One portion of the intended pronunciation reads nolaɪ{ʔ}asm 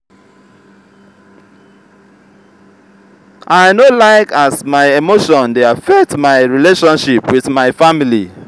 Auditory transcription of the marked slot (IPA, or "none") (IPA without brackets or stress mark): k